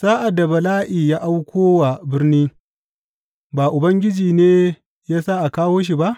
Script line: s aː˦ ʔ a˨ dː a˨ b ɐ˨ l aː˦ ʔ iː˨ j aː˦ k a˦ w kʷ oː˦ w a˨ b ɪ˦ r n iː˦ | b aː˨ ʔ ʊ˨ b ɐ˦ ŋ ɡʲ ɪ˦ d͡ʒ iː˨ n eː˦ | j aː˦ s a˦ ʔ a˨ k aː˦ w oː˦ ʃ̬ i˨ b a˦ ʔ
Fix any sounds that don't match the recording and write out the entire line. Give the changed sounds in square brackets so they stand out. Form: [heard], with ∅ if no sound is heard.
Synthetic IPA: s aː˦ ʔ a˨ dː a˨ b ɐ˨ l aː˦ ʔ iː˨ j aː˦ [ʔ] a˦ w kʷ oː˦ w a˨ b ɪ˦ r n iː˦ | b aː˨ ʔ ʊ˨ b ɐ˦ ŋ ɡʲ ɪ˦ d͡ʒ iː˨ n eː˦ | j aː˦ s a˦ ʔ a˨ k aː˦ w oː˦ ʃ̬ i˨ b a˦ ʔ

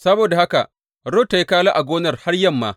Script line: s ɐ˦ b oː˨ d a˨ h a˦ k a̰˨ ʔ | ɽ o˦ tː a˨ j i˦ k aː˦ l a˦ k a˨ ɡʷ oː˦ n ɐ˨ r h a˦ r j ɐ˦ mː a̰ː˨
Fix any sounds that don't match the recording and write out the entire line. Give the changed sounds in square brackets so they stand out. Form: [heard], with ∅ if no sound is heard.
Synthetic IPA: s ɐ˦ b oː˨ d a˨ h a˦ k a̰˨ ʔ | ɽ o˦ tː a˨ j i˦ k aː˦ l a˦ [ʔ] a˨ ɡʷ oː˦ n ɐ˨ r h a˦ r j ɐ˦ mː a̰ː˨

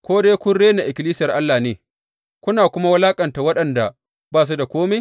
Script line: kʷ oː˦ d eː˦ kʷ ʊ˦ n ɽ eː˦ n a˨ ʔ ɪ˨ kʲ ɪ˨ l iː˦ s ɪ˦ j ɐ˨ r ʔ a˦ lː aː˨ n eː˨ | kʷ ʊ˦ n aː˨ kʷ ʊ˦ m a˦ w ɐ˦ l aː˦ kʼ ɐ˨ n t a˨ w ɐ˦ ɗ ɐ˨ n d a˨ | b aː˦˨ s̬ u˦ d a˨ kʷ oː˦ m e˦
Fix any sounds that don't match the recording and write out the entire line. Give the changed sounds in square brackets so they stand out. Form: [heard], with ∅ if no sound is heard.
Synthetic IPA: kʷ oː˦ d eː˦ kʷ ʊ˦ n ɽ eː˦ n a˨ ʔ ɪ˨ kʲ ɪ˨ l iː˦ s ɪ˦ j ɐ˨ r ʔ a˦ lː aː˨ n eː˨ | kʷ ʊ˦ n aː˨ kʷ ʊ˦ m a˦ w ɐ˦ l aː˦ kʼ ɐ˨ n t a˨ w ɐ˦ ɗ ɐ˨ n d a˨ | b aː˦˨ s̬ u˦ d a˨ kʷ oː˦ m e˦

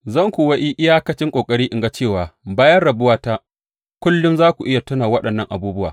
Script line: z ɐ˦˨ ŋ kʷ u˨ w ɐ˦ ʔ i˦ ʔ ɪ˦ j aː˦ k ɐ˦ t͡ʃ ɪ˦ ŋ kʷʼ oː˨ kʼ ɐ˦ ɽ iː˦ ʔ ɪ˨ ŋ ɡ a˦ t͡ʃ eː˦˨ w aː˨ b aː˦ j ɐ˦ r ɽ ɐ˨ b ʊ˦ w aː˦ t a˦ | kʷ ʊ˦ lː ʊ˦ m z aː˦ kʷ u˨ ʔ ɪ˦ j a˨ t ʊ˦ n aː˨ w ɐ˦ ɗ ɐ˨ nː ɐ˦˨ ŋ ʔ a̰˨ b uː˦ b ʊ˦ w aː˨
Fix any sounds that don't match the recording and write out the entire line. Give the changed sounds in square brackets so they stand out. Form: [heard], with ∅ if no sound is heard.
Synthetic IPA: z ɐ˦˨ ŋ kʷ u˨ w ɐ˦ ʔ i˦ ʔ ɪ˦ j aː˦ k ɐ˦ t͡ʃ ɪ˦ ŋ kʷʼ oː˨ kʼ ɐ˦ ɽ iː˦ ʔ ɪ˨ ŋ ɡ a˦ t͡ʃ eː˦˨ w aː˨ b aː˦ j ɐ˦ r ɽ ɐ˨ b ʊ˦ w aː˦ t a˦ | kʷ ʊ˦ lː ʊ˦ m z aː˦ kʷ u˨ ʔ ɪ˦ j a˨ t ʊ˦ n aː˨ w ɐ˦ ɗ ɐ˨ nː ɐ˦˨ ŋ ʔ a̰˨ b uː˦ b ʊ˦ w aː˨

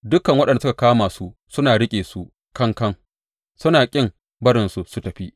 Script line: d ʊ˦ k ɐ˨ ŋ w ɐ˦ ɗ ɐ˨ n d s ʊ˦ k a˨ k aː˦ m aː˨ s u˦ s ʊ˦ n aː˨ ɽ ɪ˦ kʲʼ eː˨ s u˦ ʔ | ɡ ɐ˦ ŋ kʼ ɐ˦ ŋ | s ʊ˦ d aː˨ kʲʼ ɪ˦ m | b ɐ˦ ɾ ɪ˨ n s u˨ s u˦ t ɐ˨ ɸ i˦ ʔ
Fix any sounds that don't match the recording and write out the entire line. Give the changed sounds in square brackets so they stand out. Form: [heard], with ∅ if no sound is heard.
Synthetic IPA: d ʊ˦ k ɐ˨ ŋ w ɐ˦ ɗ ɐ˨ n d s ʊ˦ k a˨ k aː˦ m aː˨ s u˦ s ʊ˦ n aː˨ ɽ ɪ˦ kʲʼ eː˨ s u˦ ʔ | [k] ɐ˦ ŋ [k] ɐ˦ ŋ | s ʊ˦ [n] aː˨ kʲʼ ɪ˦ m | b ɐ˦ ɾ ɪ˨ n s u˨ s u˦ t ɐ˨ ɸ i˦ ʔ

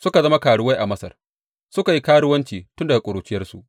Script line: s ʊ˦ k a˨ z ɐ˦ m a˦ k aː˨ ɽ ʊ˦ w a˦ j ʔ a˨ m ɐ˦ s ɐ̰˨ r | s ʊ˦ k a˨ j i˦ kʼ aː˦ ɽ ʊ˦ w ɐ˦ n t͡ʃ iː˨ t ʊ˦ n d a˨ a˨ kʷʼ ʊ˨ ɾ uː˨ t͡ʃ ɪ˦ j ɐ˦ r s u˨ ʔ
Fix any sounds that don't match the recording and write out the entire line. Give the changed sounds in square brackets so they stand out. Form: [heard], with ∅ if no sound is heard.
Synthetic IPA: s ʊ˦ k a˨ z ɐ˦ m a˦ k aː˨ ɽ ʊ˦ w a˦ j ʔ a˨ m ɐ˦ s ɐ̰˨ r | s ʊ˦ k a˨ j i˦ [k] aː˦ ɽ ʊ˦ w ɐ˦ n t͡ʃ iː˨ t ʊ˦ n d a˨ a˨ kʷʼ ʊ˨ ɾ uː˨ t͡ʃ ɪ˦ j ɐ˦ r s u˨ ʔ

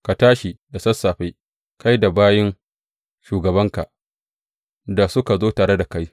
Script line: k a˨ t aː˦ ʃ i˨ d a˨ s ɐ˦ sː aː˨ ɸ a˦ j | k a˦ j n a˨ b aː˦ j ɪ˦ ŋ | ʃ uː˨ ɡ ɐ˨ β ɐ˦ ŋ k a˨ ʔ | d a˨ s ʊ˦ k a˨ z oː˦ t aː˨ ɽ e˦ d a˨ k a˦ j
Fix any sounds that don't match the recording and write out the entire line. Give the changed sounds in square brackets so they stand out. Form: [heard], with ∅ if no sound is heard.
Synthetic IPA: k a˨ t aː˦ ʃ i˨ d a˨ s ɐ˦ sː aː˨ ɸ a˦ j | k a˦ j [d] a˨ b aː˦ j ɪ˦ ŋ | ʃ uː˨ ɡ ɐ˨ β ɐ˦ ŋ k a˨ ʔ | d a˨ s ʊ˦ k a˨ z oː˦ t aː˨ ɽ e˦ d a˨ k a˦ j

